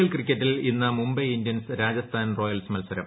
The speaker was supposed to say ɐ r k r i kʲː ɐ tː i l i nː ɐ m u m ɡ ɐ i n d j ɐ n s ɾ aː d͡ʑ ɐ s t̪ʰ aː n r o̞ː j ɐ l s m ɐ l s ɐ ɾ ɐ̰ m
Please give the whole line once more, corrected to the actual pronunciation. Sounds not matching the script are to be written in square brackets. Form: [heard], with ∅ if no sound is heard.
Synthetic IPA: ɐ [l] k r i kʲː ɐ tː i l i nː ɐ m u m [b] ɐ i n d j ɐ n s ɾ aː d͡ʑ ɐ s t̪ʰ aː n r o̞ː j ɐ l s m ɐ l s ɐ ɾ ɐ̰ m